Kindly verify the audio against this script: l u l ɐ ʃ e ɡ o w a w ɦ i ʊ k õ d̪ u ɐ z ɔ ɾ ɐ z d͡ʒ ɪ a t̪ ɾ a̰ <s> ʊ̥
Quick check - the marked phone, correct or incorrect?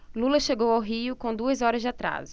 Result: incorrect